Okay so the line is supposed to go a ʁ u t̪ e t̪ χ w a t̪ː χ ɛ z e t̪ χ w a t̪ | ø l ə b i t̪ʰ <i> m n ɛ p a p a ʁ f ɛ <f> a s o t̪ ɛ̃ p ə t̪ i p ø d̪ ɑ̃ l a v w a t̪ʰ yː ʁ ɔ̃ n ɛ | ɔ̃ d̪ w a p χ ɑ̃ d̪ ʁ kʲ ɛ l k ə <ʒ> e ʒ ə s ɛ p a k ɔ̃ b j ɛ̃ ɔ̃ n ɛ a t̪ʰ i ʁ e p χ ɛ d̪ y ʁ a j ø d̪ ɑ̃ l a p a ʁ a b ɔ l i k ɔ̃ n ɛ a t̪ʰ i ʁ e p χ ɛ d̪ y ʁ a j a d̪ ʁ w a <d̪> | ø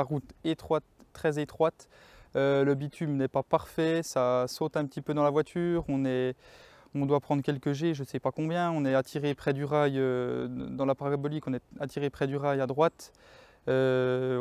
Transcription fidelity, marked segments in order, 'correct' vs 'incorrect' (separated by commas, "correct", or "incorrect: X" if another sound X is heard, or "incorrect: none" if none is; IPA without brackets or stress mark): incorrect: y, incorrect: s, correct, incorrect: t̪